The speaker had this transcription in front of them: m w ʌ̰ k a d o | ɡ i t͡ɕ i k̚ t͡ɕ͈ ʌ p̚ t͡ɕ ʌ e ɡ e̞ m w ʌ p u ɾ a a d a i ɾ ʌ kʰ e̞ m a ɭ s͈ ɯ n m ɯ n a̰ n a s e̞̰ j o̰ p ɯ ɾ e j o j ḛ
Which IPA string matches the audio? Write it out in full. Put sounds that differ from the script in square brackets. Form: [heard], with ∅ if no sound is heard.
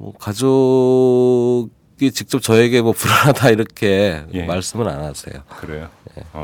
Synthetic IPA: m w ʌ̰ k a [d͡ʑ] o | ɡ i t͡ɕ i k̚ t͡ɕ͈ ʌ p̚ t͡ɕ ʌ e ɡ e̞ m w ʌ p u ɾ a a d a i ɾ ʌ kʰ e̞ m a ɭ s͈ ɯ [∅] m ɯ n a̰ n a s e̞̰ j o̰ [k] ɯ ɾ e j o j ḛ